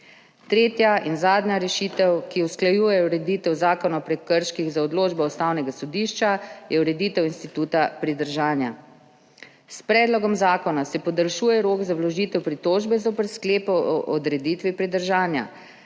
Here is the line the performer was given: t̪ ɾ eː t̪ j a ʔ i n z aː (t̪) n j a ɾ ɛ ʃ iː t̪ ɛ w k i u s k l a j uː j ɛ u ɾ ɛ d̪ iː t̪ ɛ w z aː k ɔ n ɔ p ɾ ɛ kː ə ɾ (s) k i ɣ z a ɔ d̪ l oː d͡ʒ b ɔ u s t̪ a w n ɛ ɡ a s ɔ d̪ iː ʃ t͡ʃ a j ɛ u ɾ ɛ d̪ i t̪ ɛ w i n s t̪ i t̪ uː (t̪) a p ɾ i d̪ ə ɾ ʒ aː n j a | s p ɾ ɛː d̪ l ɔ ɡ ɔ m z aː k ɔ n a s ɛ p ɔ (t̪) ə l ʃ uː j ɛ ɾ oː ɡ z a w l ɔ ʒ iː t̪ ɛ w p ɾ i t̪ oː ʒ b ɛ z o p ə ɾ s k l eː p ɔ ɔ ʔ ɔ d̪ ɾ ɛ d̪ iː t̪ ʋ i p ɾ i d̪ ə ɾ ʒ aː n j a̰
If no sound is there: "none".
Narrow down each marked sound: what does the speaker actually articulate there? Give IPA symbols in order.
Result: d̪, ʃ, t̪, d̪

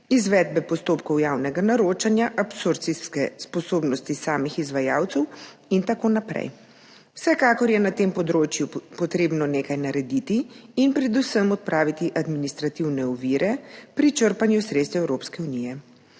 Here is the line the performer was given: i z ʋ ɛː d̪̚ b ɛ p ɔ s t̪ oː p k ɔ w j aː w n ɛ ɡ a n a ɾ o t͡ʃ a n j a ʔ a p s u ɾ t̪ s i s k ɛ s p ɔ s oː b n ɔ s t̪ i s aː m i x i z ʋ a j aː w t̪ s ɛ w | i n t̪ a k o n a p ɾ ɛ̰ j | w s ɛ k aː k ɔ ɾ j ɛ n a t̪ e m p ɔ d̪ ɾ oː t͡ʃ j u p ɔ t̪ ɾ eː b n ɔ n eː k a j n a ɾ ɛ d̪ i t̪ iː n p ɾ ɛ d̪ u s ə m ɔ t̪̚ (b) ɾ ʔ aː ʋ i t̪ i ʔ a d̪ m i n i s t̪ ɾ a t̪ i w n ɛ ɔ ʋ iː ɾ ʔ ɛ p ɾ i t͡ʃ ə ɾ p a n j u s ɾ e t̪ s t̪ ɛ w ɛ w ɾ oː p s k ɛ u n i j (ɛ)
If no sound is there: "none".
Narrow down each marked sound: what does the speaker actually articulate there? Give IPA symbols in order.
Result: p, ɛ

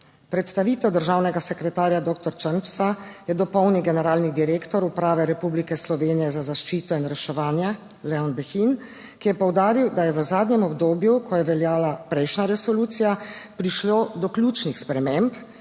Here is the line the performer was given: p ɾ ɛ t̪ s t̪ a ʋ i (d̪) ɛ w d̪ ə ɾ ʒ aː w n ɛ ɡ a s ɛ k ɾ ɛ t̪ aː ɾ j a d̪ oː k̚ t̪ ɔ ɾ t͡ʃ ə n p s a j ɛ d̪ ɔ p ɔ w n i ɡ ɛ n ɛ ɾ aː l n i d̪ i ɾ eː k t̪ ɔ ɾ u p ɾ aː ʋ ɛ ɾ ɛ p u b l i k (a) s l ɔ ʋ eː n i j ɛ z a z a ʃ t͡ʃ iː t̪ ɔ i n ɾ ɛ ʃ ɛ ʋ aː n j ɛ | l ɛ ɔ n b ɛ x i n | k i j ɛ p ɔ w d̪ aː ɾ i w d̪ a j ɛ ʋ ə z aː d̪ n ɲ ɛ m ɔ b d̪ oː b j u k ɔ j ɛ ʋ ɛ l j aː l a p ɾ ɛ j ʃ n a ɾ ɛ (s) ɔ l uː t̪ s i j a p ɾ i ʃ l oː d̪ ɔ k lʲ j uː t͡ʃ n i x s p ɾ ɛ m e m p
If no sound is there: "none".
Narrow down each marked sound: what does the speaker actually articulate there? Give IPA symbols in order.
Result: t̪, ɛ, s

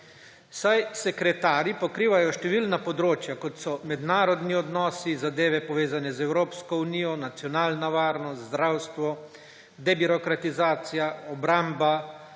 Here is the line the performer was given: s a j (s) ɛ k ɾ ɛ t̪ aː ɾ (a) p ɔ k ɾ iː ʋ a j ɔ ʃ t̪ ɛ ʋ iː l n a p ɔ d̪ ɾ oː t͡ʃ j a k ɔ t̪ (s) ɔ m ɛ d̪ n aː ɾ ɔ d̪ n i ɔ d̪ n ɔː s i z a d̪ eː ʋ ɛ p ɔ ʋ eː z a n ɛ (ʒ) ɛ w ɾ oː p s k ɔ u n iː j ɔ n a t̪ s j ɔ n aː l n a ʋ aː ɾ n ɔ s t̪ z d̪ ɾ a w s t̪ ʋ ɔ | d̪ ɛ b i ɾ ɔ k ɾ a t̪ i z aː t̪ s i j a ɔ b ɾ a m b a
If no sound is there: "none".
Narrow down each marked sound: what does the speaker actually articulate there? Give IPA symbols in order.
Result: s, i, s, z

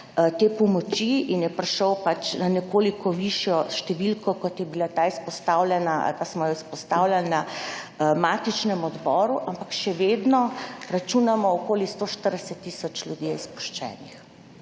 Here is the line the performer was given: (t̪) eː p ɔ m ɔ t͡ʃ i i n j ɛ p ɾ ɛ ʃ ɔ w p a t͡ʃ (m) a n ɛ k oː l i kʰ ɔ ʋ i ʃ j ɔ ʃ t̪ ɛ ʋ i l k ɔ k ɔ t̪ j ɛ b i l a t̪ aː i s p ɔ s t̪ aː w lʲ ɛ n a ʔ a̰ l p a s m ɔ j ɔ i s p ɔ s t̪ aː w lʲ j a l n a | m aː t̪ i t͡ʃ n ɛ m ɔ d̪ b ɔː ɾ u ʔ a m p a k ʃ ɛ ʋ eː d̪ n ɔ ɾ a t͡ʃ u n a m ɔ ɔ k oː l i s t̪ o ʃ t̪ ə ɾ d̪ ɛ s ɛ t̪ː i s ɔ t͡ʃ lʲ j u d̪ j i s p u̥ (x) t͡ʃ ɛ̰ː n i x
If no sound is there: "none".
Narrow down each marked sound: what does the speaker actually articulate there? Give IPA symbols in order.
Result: t̪, n, ʃ

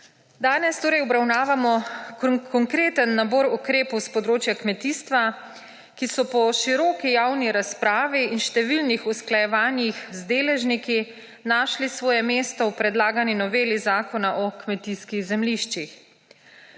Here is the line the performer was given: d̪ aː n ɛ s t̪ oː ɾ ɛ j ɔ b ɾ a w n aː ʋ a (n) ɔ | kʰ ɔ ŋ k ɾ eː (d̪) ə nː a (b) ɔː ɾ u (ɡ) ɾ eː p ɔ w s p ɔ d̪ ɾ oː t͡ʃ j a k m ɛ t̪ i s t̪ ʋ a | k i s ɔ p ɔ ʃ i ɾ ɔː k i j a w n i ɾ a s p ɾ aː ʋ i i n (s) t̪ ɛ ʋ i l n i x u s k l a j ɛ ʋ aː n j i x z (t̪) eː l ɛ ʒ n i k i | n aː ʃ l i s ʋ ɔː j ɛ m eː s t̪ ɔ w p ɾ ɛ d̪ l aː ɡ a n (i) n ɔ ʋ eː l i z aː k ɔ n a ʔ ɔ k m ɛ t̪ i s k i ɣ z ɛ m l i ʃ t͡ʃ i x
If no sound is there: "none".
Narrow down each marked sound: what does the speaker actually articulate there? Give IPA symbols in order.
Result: m, t̪, b, k, ʃ, d̪, i

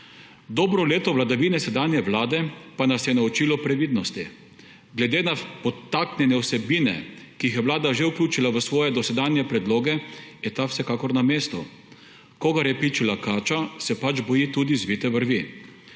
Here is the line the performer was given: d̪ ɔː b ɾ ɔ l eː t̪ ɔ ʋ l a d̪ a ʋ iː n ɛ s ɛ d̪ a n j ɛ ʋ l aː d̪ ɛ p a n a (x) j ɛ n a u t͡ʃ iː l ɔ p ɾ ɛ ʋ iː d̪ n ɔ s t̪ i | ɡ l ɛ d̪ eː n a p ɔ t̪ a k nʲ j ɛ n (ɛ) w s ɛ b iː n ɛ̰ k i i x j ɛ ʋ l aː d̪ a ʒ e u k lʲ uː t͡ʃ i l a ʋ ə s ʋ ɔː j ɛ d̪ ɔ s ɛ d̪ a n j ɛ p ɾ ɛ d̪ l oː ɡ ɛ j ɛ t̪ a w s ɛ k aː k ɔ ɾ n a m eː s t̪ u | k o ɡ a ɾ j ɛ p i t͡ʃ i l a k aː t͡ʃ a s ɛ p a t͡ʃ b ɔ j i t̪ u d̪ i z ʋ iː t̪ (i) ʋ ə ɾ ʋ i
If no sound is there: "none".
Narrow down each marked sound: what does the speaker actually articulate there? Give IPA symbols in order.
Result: s, ɛ, ɛ

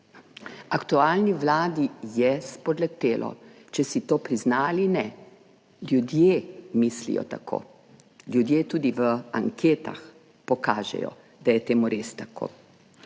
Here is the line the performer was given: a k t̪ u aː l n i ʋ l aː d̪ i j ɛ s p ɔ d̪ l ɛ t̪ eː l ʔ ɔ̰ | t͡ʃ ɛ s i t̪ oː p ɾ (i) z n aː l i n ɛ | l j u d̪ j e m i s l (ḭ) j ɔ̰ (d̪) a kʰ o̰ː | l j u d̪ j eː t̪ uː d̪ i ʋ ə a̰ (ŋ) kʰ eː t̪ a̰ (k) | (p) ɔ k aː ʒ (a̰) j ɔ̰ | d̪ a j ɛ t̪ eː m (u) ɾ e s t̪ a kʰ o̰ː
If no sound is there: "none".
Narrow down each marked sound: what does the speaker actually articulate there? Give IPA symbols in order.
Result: i, ḭ, t̪, ŋ, x, p, ɛ̰, u

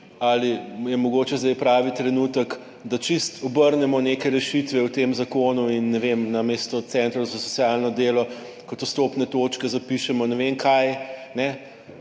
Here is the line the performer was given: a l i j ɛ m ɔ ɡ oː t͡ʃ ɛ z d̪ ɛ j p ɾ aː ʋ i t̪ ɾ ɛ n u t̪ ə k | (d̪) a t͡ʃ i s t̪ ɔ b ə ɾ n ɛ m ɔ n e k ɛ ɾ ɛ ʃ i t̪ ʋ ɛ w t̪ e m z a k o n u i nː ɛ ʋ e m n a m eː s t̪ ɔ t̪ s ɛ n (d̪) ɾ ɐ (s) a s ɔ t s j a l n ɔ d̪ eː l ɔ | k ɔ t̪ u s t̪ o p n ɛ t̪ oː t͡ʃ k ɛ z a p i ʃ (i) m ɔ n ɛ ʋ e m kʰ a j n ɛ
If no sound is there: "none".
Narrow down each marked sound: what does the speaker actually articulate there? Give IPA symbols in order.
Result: d̪, t̪, z, ɛ

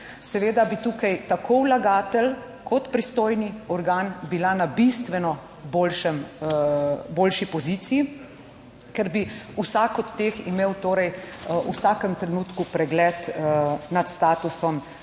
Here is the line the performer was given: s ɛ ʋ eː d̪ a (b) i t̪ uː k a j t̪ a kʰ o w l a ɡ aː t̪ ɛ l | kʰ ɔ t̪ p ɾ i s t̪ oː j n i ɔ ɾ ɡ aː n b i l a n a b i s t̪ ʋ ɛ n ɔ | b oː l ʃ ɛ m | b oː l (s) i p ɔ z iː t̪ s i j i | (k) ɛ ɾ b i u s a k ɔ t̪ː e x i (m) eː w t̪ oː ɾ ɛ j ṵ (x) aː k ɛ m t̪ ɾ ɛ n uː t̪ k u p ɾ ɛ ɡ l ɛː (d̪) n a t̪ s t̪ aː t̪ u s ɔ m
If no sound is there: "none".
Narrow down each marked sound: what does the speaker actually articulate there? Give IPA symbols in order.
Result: b, ʃ, k, m, s, t̪

